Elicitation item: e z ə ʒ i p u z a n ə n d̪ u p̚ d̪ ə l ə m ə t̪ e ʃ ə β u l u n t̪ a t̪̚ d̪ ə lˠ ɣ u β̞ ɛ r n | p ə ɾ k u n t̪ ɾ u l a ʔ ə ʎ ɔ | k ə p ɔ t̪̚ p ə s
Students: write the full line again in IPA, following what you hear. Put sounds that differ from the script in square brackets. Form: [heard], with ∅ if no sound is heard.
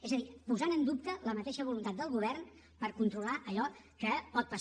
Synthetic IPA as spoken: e z ə [ð] i p u z a n ə n d̪ u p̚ [t̪] ə l ə m ə t̪ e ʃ ə β u l u n t̪ a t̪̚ d̪ ə lˠ ɣ u β̞ ɛ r n | p ə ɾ k u n t̪ ɾ u l a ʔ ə ʎ ɔ | k ə p ɔ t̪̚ p ə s